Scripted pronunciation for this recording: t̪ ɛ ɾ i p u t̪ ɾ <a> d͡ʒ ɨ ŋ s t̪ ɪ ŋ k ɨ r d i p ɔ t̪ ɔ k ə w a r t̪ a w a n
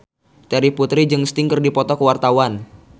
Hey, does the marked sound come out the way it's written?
no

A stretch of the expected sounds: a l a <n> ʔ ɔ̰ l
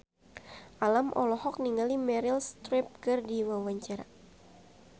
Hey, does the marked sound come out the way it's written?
no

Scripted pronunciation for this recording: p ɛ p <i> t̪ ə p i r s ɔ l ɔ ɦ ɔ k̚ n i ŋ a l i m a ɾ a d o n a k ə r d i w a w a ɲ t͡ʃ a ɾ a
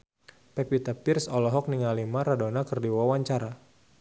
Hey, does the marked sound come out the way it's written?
yes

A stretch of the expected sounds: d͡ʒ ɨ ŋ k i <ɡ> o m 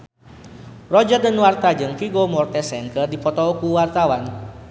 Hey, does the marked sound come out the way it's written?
yes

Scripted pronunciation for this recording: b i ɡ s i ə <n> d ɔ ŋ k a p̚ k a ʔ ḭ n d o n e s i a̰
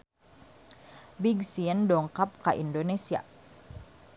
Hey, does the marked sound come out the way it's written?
yes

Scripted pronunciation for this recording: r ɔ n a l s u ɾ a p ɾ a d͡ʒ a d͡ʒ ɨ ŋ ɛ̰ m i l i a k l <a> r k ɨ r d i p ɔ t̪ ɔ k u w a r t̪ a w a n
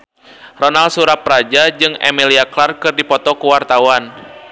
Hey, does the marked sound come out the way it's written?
yes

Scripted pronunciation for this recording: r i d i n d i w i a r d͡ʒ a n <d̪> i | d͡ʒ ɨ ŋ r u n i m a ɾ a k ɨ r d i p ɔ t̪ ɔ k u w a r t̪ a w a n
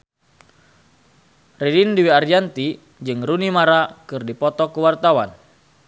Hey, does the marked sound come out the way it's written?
no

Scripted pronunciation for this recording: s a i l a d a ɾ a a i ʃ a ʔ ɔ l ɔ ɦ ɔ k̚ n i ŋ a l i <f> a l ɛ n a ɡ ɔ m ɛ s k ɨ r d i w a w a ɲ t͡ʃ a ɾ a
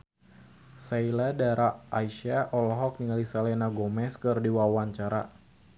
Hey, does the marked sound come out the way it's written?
no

